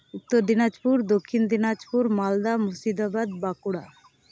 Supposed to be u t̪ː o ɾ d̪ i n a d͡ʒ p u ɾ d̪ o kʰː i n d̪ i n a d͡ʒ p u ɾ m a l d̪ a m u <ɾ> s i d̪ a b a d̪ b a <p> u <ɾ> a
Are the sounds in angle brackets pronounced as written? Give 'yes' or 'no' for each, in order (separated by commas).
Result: no, no, no